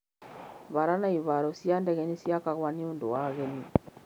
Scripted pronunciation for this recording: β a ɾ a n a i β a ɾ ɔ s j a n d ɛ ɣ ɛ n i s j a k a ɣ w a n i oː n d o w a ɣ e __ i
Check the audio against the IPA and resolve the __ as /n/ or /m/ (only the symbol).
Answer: n